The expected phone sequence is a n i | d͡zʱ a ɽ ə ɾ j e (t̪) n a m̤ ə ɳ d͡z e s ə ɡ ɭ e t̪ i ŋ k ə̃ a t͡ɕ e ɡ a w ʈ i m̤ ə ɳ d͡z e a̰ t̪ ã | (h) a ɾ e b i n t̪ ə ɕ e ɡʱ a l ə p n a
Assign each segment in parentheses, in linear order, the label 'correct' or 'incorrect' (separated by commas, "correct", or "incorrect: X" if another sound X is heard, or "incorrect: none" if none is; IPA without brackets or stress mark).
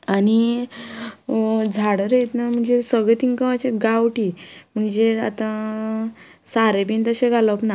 correct, incorrect: s